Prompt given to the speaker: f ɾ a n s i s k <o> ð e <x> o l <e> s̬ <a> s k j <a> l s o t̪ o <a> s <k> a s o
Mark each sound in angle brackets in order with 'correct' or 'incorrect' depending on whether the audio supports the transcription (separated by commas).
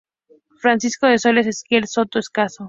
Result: correct, incorrect, correct, incorrect, incorrect, incorrect, correct